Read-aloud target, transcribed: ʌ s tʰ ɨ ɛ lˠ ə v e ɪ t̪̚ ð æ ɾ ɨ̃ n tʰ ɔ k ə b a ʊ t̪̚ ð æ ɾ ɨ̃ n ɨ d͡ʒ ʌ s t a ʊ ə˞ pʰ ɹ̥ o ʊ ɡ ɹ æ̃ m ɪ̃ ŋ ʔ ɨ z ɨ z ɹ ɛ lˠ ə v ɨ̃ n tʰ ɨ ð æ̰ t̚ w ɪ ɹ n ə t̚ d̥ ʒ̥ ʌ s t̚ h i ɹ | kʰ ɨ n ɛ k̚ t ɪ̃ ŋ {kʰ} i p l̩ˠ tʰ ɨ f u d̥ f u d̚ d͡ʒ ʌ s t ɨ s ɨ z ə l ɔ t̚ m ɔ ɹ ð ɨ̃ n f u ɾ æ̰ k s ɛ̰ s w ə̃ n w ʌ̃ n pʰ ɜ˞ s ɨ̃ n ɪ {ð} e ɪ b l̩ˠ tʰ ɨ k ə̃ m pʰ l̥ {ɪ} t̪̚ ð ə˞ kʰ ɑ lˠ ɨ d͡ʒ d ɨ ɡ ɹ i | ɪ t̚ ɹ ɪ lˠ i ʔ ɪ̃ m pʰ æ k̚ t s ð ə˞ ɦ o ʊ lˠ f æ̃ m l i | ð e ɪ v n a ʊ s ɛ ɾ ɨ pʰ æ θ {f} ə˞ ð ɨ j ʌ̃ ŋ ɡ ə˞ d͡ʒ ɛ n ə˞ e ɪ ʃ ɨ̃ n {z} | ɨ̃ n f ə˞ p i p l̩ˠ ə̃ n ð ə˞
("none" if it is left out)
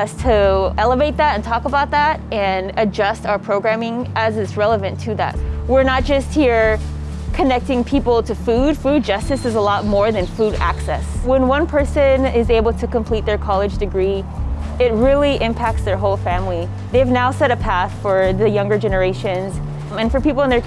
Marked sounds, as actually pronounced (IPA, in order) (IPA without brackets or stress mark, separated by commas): pʰ, z, i, f, z